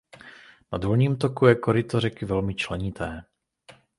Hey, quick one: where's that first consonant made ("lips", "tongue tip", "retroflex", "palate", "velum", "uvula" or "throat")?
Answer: tongue tip